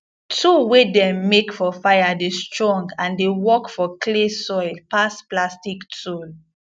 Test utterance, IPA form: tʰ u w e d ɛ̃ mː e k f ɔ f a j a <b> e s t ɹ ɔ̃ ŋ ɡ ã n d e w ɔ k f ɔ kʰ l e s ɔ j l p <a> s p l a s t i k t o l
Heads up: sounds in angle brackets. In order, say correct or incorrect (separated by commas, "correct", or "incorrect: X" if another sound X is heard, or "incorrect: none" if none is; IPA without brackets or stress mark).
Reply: incorrect: d, correct